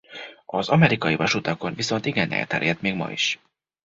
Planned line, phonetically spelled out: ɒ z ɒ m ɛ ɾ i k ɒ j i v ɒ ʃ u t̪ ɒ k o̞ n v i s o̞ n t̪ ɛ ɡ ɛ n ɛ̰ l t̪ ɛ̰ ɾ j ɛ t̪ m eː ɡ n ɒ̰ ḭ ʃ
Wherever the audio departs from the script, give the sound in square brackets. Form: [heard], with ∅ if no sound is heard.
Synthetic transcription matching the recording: ɒ z ɒ m ɛ ɾ i k ɒ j i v ɒ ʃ u t̪ ɒ k o̞ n v i s o̞ n t̪ [i] ɡ ɛ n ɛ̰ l t̪ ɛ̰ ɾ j ɛ t̪ m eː ɡ [m] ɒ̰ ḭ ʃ